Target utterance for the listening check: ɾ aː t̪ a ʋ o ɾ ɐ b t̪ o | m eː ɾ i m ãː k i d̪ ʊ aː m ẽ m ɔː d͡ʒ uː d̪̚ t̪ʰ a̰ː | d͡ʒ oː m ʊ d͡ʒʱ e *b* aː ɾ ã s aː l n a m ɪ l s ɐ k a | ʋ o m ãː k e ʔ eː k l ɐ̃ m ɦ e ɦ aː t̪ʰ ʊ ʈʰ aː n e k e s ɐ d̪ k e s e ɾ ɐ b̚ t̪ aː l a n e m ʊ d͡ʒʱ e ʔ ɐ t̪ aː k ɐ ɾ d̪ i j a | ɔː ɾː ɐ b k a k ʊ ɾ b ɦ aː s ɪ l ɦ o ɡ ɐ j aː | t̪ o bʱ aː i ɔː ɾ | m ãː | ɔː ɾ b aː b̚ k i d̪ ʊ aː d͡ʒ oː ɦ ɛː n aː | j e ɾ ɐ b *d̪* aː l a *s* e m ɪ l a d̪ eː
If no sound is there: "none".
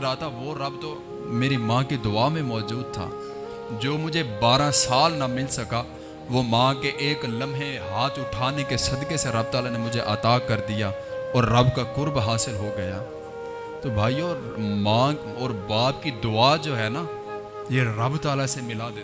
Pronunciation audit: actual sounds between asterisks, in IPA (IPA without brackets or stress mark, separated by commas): b, t̪, s